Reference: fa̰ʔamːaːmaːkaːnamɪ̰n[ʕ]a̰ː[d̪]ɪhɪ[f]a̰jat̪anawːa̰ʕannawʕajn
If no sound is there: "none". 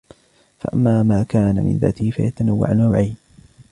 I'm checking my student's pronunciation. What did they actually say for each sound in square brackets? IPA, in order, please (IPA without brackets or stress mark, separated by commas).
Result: ð, t̪, f